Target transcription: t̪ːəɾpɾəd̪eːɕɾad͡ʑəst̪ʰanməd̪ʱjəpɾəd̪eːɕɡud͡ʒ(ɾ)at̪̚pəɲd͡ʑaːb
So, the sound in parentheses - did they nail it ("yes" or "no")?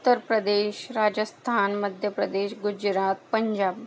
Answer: yes